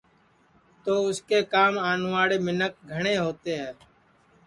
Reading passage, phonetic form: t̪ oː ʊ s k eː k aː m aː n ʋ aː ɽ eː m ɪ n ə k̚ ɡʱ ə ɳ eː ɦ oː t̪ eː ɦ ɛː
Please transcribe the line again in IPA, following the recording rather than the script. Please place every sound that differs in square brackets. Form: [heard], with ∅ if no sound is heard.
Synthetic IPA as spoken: t̪ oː ʊ s k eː k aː m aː n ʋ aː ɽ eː m ɪ n ə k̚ ɡʱ ə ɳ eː ɦ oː t̪ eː ɦ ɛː